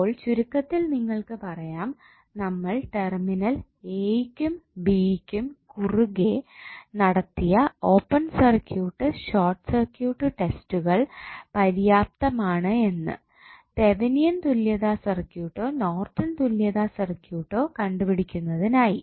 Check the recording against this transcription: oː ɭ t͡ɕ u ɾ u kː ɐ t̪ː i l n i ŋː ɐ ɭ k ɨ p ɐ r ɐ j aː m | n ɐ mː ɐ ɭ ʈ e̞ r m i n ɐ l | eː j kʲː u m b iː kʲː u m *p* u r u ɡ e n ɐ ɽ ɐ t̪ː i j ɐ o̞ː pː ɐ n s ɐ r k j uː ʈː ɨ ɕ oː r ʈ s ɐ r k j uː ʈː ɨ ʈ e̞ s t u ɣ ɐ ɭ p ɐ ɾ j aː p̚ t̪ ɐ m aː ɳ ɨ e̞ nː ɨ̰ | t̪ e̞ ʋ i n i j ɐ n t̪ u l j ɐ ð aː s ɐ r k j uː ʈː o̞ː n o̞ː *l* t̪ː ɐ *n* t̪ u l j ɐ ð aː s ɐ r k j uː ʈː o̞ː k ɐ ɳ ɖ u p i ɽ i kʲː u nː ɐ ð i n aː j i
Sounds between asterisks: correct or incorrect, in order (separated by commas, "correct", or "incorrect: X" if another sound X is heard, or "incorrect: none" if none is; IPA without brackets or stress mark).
incorrect: k, incorrect: r, correct